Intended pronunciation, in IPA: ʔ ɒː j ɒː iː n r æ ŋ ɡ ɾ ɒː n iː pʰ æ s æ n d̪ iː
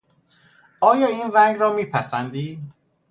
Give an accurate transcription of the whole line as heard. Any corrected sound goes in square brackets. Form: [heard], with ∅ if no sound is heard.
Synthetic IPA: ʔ ɒː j ɒː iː n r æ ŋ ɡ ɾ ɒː [m] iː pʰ æ s æ n d̪ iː